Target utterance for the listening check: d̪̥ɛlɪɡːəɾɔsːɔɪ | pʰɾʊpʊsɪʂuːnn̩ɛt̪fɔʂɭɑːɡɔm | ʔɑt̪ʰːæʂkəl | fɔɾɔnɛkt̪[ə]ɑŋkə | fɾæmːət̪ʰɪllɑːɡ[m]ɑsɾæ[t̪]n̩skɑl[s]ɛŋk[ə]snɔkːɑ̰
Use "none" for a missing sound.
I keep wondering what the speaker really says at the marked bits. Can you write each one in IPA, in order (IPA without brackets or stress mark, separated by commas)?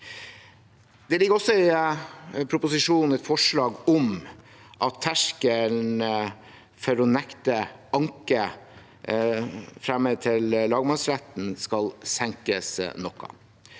ə, m, t̪, s, ə